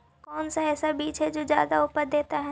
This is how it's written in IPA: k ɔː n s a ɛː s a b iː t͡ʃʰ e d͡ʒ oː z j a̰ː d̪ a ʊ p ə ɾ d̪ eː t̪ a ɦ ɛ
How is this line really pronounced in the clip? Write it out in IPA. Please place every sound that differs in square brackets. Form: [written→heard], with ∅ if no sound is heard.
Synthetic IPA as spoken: k ɔː n s a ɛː s a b iː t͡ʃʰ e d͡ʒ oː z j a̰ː d̪ a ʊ p ə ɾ d̪ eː t̪ a ɦ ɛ